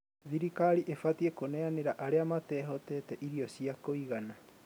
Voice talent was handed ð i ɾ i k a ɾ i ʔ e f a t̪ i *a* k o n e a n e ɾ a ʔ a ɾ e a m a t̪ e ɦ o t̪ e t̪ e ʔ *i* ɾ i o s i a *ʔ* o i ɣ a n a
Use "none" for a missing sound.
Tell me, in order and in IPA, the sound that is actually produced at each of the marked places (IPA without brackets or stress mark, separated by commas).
e, i, k